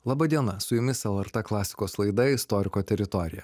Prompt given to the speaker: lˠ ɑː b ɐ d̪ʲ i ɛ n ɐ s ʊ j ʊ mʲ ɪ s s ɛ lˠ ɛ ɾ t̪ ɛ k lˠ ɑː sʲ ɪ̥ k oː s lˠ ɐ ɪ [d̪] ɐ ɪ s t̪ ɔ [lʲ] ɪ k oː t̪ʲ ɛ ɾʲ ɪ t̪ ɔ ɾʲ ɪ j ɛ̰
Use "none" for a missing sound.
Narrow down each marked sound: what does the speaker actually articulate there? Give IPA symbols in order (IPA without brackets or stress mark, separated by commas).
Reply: d̪, ɾʲ